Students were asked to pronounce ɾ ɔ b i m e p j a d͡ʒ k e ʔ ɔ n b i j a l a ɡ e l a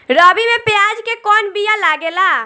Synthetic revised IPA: ɾ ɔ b i m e p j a d͡ʒ k e k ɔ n b i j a l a ɡ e l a